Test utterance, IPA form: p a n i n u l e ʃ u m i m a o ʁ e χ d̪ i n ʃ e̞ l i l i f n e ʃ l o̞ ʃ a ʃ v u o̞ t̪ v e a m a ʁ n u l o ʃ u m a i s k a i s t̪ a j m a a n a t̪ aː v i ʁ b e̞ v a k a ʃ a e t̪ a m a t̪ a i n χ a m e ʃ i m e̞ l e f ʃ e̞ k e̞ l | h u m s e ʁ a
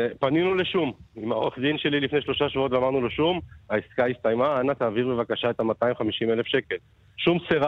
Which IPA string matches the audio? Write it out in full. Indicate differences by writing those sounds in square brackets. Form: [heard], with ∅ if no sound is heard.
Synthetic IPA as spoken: p a n i n u l e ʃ u m i m a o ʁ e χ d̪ i n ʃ e̞ l i l i f n e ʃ l o̞ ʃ a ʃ v u o̞ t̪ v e a m a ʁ n u l o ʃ u m a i s k a i s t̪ a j m a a n a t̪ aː v i ʁ b e̞ v a k a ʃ a e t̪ a m a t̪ a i [m] χ a m [i] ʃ i m e̞ l e f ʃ e̞ k e̞ l | [ʃ] u m s e ʁ a